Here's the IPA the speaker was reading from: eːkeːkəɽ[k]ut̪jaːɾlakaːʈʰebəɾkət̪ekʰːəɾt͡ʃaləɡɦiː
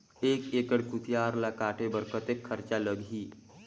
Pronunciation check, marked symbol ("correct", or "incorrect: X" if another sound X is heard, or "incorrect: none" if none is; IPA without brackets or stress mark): correct